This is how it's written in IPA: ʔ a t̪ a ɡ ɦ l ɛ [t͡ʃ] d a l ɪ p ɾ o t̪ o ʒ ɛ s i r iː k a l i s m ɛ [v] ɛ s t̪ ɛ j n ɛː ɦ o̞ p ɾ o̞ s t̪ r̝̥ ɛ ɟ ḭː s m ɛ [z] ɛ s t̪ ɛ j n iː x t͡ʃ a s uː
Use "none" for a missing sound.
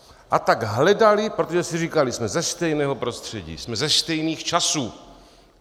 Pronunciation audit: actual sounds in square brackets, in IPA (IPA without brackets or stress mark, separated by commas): none, z, z